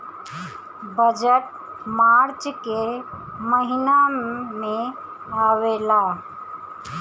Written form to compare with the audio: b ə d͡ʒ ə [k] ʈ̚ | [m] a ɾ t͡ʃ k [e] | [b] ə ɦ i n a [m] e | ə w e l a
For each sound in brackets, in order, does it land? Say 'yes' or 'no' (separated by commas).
no, yes, yes, no, yes